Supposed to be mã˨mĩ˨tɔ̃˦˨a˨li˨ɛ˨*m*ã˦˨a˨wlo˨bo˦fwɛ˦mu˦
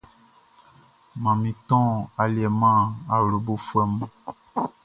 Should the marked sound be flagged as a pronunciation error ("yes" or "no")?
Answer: no